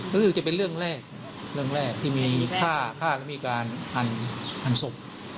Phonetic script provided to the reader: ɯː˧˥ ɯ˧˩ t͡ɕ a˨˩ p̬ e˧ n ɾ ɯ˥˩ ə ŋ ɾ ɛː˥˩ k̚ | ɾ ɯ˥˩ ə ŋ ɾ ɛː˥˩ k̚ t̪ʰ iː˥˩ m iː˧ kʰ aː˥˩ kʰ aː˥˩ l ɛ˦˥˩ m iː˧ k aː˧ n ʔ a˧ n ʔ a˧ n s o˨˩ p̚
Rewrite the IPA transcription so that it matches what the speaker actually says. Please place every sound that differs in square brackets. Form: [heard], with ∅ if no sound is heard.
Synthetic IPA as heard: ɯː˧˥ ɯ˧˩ t͡ɕ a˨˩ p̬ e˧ n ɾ ɯ˥˩ ə ŋ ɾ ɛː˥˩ k̚ | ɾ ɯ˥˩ ə ŋ ɾ ɛː˥˩ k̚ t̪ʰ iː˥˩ m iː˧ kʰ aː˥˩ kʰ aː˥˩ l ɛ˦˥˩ m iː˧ k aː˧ n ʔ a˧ n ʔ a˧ n s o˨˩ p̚